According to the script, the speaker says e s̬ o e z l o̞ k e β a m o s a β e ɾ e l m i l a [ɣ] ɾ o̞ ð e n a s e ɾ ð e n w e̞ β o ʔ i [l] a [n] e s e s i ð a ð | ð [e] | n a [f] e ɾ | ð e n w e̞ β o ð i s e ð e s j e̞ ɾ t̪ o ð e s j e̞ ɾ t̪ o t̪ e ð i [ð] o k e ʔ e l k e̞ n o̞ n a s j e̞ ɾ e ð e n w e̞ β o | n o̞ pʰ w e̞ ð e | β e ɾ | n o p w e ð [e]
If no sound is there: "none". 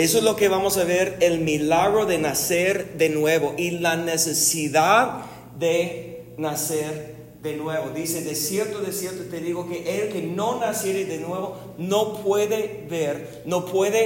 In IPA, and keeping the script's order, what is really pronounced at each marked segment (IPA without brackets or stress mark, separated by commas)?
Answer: ɣ, l, n, e, s, ɣ, e